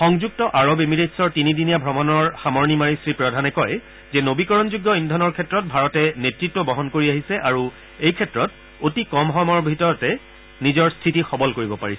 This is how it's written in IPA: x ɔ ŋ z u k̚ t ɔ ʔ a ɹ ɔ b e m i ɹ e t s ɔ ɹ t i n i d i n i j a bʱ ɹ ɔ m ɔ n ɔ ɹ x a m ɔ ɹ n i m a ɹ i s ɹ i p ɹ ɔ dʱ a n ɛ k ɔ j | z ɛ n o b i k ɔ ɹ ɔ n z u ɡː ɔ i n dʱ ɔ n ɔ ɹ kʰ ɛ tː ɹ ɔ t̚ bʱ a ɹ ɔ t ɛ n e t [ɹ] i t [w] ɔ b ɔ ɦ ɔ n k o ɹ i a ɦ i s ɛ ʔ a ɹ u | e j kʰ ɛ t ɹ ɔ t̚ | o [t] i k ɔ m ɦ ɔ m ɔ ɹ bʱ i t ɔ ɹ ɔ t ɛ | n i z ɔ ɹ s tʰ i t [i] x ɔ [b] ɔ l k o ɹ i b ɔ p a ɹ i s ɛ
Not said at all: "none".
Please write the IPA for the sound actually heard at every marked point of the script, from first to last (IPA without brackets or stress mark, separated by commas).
ɹ, w, t, i, b